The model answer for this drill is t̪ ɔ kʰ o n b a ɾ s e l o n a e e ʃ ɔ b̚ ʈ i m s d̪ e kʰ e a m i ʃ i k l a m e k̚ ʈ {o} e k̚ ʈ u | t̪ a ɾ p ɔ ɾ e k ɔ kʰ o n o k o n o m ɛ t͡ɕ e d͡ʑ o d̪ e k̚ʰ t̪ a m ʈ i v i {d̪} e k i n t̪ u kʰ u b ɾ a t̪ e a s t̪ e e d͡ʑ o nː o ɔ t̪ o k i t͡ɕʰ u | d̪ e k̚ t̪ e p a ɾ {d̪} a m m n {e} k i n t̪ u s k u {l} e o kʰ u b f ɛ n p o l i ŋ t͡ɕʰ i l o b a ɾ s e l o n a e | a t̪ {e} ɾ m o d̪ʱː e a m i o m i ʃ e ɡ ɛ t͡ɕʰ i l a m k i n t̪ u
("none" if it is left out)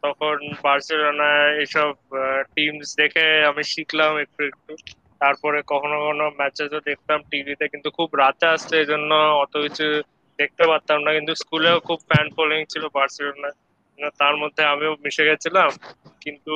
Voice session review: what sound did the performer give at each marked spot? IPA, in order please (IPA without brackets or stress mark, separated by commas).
u, t̪, t̪, a, l, a